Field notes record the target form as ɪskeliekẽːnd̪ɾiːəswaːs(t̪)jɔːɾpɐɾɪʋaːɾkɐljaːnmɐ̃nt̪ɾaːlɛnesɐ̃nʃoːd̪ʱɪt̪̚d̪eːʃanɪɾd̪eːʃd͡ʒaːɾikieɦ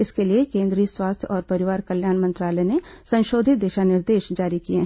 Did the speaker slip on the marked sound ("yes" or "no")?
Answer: yes